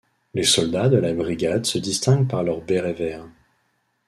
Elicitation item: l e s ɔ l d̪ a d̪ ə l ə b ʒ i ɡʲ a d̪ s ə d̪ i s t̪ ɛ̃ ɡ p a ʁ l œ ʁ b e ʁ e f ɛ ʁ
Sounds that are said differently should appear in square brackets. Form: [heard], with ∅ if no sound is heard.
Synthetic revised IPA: l e s ɔ l d̪ a d̪ ə l [a] b [ʁ] i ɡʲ a d̪ s ə d̪ i s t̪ ɛ̃ ɡ p a ʁ l œ ʁ b e ʁ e [v] ɛ ʁ